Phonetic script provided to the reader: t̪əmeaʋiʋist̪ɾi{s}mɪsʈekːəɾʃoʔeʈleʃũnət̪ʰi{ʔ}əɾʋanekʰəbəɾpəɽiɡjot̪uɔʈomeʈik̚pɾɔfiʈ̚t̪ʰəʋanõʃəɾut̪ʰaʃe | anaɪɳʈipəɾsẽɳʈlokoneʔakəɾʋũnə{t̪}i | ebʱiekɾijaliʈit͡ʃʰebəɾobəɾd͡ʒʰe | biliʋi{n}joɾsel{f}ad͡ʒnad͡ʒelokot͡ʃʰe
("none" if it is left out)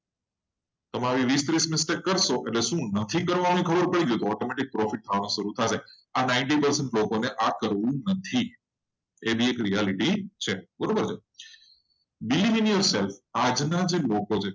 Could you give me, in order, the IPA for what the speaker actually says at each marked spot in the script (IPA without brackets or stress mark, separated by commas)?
s, k, t̪ʰ, n, f